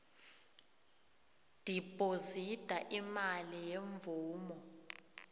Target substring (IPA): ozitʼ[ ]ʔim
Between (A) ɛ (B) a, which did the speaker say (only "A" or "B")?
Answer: B